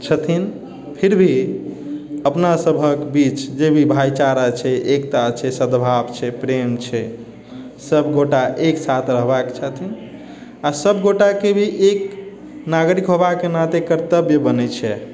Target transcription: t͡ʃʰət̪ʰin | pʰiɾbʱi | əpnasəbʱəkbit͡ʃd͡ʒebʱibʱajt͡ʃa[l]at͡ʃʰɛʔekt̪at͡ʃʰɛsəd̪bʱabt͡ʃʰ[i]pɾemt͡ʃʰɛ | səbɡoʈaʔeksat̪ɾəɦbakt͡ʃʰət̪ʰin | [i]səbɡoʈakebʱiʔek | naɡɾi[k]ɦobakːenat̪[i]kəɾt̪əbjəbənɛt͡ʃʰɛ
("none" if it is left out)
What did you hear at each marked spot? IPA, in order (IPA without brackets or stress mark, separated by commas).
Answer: ɾ, ɛ, a, k, e